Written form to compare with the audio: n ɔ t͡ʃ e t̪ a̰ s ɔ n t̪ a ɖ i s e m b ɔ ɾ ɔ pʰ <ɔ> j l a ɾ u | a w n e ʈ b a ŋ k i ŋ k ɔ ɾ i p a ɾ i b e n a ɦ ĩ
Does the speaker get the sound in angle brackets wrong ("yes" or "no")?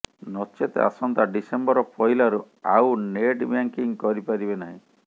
no